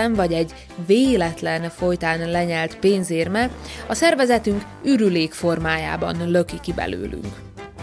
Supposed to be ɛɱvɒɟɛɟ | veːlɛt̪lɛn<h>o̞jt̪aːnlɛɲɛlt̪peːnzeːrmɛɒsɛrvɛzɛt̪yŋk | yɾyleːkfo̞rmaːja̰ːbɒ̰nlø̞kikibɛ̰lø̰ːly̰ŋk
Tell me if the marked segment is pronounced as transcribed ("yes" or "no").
no